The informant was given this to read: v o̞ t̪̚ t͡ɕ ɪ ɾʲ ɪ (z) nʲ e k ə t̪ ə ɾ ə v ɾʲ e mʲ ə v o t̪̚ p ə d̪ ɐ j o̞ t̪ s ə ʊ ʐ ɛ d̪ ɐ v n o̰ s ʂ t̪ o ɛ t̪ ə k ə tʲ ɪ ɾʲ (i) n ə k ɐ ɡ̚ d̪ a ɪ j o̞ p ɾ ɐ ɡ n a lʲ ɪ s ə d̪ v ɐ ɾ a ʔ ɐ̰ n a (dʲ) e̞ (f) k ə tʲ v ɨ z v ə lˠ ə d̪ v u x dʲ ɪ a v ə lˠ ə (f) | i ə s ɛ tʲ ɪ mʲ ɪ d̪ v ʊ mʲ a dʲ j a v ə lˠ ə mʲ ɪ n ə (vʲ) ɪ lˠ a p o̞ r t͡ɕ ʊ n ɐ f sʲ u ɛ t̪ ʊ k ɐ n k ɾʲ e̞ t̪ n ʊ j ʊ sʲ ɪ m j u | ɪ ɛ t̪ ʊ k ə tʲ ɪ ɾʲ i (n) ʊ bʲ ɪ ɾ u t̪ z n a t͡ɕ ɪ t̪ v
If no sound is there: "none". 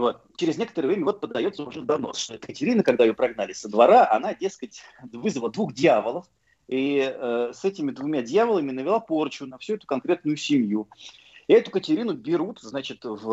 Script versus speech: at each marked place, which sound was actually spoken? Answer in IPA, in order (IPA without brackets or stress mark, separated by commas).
z, i, dʲ, s, f, vʲ, n